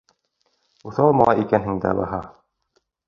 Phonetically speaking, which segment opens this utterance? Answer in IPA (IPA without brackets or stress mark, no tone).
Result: u